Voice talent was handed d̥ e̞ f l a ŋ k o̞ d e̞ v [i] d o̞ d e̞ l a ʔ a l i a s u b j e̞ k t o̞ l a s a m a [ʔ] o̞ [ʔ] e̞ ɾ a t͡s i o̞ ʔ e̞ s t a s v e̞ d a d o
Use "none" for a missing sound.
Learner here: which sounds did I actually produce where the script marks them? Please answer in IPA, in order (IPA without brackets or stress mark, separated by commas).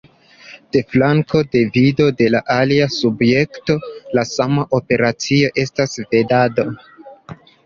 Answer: i, ʔ, p